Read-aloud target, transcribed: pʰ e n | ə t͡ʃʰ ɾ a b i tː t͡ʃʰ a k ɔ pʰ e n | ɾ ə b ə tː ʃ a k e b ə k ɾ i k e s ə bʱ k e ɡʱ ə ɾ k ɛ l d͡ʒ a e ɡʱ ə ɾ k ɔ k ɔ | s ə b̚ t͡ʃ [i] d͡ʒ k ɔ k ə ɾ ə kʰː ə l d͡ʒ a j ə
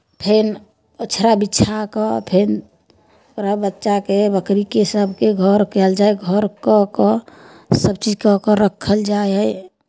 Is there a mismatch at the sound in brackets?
no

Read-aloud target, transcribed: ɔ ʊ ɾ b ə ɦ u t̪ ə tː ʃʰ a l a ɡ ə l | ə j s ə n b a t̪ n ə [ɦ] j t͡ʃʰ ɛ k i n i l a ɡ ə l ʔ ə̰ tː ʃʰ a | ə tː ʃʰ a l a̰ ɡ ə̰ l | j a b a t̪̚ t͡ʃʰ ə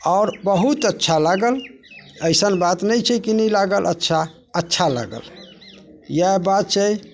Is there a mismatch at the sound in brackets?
yes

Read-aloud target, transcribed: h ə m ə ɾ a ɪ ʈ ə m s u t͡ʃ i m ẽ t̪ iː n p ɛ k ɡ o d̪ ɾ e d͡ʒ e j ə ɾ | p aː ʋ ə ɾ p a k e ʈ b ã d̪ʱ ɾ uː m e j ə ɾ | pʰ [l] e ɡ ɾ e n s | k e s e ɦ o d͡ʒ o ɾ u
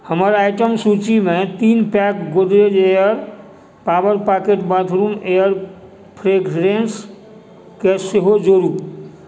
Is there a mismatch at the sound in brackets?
yes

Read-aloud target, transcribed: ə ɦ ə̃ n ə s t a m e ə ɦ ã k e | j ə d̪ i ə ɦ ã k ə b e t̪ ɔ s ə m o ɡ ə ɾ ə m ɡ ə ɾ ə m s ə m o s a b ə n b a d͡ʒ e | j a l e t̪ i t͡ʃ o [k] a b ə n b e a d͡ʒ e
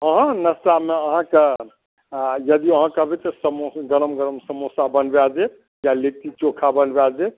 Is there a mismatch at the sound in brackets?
yes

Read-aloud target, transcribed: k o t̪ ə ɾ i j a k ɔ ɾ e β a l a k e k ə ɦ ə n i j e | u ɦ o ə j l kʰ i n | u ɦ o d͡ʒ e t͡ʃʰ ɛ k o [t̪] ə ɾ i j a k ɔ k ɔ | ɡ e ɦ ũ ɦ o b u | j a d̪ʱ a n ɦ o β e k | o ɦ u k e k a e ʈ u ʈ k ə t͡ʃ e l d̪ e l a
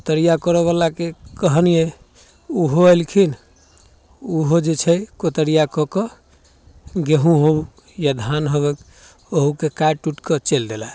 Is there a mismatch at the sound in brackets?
no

